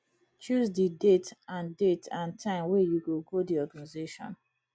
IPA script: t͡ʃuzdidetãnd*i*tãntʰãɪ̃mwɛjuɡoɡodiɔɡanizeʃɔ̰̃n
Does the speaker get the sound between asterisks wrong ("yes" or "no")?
yes